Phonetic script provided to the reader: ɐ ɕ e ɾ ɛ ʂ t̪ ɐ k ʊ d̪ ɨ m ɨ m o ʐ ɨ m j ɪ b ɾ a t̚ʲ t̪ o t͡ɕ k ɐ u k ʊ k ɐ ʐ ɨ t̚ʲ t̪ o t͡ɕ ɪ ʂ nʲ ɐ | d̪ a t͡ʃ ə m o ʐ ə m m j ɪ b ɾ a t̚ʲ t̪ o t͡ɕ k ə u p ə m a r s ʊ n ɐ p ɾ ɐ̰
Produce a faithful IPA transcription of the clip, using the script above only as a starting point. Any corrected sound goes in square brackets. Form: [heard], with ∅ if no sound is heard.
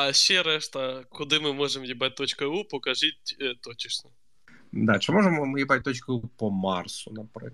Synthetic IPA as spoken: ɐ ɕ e ɾ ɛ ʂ t̪ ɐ k ʊ d̪ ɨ m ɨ m o ʐ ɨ m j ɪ b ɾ a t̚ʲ t̪ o t͡ɕ k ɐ u [p] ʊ k ɐ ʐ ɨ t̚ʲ t̪ o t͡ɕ ɪ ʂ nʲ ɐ | d̪ a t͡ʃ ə m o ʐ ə m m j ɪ b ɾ a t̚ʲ t̪ o t͡ɕ k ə u p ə m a r s ʊ n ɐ p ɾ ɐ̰